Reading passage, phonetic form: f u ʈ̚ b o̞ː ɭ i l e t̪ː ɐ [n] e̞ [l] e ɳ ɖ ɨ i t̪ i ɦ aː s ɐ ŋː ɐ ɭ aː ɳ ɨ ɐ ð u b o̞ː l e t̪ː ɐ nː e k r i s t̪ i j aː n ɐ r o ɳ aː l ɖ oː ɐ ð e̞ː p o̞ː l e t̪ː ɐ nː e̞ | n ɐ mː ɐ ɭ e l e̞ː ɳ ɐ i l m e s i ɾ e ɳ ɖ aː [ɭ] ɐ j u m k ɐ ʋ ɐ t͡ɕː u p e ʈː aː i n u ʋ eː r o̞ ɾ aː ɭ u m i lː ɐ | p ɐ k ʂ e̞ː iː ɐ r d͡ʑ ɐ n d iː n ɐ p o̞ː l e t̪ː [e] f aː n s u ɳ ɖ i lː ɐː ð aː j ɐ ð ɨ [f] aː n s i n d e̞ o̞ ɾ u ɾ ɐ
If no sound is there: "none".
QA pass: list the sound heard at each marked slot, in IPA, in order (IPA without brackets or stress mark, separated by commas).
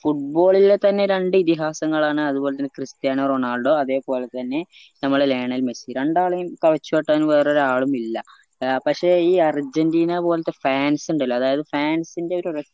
nː, ɾ, ɭ, e, f